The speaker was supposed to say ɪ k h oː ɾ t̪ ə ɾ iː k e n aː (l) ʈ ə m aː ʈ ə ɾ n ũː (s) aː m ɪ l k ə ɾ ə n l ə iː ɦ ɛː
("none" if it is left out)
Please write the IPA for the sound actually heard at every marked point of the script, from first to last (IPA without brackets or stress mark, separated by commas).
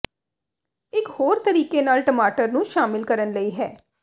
l, ʃ